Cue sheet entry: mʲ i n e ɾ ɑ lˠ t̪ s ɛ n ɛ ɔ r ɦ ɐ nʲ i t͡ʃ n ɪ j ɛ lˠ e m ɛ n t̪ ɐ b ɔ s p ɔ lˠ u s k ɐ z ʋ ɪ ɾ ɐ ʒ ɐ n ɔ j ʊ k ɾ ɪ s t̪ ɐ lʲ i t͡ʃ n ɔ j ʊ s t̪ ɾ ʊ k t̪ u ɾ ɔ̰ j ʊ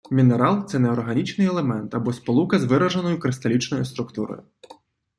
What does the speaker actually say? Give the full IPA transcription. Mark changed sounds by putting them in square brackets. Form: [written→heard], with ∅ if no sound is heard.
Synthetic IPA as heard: mʲ i n e ɾ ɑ lˠ t̪ s ɛ n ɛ ɔ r ɦ ɐ nʲ i t͡ʃ n ɪ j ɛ lˠ e m ɛ n t̪ ɐ b ɔ s p ɔ lˠ u [s→∅] k ɐ z ʋ ɪ ɾ ɐ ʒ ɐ n ɔ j ʊ k ɾ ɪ s t̪ ɐ lʲ i t͡ʃ n ɔ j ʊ s t̪ ɾ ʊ k t̪ u ɾ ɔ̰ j ʊ